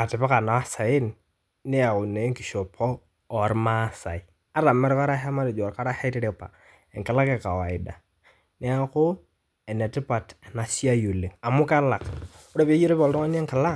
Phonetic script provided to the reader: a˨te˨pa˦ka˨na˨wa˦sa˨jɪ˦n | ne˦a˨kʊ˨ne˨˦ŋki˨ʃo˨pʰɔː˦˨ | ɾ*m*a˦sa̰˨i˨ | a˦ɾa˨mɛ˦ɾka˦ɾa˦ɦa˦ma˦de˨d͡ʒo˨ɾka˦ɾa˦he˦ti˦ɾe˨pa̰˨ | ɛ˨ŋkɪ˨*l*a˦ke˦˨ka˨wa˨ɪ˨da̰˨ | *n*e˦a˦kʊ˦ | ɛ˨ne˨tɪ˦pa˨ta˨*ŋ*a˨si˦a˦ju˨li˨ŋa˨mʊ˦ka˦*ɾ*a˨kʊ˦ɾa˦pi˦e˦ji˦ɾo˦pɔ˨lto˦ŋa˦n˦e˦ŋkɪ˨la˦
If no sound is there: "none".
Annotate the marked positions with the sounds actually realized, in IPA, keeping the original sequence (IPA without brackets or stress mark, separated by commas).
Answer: m, l, n, n, l